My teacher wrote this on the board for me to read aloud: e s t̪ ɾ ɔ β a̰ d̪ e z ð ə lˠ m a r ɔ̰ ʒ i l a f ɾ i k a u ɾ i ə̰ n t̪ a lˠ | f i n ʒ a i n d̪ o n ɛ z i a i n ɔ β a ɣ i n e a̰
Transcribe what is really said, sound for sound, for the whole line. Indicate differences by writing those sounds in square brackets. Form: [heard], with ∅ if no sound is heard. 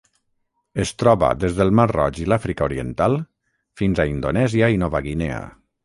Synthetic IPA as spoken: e s t̪ ɾ ɔ β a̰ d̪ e z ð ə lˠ m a r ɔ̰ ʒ i l a f ɾ i k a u ɾ i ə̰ n t̪ a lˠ | f i n [z] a i n d̪ o n ɛ z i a i n ɔ β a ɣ i n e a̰